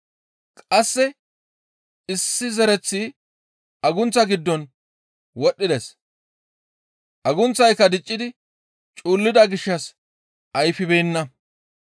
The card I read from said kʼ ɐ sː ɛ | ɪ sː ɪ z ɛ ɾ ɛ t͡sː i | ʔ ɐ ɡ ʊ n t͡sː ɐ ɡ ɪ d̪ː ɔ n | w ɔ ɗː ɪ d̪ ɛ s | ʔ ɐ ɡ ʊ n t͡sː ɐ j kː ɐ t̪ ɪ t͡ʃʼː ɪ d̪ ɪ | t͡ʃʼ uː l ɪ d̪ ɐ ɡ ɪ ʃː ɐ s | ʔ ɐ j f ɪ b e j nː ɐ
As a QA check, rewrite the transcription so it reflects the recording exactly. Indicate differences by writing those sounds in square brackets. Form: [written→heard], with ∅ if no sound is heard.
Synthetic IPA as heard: kʼ ɐ sː ɛ | ɪ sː ɪ z ɛ ɾ ɛ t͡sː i | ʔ ɐ ɡ ʊ n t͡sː ɐ ɡ ɪ d̪ː ɔ n | w ɔ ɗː ɪ d̪ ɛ s | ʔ ɐ ɡ ʊ n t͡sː ɐ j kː ɐ [t̪→d̪] ɪ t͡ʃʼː ɪ d̪ ɪ | t͡ʃʼ uː [l→lː] ɪ d̪ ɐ ɡ ɪ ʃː ɐ s | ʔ ɐ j f ɪ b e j nː ɐ